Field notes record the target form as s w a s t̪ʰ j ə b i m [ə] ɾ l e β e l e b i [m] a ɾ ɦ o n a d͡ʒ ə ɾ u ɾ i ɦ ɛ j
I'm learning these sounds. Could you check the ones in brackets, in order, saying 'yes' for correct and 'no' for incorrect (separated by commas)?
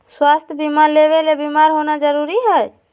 no, yes